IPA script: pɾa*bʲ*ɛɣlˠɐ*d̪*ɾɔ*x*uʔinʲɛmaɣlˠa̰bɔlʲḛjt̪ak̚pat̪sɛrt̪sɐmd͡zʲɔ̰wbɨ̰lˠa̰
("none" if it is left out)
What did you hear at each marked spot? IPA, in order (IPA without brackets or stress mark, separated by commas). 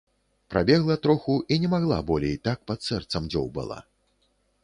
bʲ, t̪, x